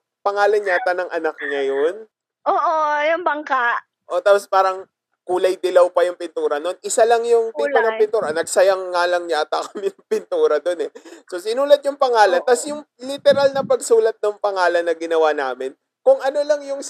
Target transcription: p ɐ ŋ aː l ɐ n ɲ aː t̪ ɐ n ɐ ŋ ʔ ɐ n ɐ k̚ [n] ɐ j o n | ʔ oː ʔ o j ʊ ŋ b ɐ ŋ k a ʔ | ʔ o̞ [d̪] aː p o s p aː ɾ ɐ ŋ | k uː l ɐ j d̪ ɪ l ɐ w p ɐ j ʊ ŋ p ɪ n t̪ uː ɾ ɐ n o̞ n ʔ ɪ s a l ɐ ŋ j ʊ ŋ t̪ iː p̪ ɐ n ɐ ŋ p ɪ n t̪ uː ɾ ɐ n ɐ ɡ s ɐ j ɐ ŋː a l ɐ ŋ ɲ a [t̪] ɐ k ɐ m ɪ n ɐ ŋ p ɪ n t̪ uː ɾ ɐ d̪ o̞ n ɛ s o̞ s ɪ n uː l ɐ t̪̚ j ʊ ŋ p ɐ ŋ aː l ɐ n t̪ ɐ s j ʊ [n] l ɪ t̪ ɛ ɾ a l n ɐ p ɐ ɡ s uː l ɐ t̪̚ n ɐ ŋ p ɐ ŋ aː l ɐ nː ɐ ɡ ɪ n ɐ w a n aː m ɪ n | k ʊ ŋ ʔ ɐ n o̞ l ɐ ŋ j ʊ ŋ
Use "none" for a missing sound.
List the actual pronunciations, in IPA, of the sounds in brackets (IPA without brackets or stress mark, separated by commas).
ɲ, t̪, t̪, ŋ